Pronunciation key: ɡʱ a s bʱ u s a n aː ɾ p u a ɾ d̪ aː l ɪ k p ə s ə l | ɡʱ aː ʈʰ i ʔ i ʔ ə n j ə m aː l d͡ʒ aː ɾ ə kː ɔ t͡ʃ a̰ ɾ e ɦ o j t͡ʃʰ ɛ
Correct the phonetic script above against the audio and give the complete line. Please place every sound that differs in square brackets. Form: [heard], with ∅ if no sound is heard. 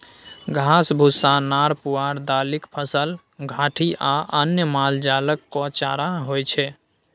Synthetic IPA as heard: ɡʱ a s bʱ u s a n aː ɾ p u a ɾ d̪ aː l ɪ k [pʰ] ə s ə l | ɡʱ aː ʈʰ i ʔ [a] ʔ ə n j ə m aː l d͡ʒ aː [l] ə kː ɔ t͡ʃ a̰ ɾ [a] ɦ o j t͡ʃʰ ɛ